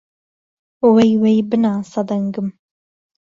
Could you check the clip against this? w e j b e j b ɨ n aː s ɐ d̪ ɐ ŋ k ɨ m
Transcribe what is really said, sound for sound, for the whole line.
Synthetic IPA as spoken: w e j w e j b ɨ n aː s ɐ d̪ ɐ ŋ ɡ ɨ m